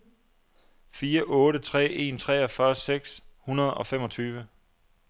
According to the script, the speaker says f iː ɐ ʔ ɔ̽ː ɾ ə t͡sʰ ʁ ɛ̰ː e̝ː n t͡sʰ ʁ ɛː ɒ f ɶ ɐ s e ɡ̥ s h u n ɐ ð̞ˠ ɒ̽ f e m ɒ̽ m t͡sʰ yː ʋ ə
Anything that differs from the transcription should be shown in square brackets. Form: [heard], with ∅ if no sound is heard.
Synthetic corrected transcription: f iː ɐ ʔ ɔ̽ː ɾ ə t͡sʰ ʁ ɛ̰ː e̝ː n t͡sʰ ʁ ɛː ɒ f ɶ ɐ s e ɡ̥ s h u n ɐ ð̞ˠ ɒ̽ f e m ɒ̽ [∅] t͡sʰ yː ʋ ə